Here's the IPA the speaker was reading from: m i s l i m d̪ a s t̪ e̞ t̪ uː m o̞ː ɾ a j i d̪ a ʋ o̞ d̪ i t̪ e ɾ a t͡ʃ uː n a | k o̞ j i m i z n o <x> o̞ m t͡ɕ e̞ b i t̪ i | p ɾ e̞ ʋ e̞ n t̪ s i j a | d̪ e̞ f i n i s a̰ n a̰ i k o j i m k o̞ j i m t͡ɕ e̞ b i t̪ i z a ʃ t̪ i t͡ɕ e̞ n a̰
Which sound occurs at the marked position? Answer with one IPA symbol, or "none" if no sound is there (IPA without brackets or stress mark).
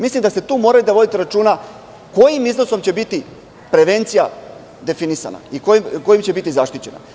s